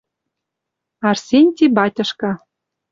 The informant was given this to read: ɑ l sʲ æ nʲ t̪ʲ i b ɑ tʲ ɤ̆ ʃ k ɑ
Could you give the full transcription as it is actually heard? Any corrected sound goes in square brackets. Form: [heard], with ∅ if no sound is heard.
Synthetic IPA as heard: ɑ [r] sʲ [e] nʲ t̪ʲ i b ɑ tʲ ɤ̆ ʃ k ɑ